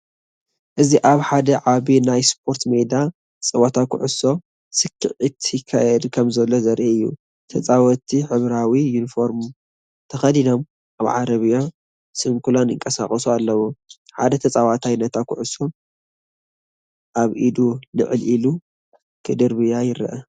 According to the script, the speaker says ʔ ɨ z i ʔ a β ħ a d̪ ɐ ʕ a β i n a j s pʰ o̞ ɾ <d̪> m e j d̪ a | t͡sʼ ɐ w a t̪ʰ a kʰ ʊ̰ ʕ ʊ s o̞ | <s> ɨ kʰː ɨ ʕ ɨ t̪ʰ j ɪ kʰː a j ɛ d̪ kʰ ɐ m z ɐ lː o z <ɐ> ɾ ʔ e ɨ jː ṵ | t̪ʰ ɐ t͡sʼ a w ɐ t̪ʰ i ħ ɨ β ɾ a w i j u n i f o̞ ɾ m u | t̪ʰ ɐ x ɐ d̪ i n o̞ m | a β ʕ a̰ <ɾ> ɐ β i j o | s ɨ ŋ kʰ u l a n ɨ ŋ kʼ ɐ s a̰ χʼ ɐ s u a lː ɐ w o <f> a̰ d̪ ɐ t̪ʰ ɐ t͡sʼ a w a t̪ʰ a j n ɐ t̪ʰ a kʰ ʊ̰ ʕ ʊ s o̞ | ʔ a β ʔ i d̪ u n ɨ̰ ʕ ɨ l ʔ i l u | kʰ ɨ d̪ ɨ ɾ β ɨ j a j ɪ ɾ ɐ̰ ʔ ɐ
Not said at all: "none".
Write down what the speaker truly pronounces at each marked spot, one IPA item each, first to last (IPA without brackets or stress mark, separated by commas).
t̪, s, ɐ, ɾ, ħ